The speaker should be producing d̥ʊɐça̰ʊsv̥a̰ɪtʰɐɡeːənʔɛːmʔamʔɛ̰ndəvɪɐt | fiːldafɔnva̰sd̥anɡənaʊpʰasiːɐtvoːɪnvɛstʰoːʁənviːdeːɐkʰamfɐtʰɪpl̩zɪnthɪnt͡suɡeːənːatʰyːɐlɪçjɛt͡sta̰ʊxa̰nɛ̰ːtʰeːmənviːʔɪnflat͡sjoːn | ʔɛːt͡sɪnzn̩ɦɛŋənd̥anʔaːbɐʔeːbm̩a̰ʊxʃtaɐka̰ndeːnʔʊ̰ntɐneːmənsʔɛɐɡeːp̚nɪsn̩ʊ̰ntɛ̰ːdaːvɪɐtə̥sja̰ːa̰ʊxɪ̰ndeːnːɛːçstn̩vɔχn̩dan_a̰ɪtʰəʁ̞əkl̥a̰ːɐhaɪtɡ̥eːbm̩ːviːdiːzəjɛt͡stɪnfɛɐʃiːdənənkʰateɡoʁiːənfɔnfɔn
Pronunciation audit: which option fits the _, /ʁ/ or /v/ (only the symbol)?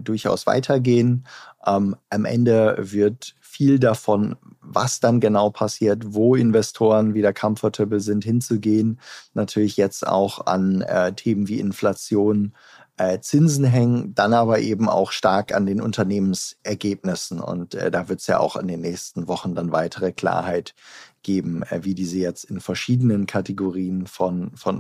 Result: v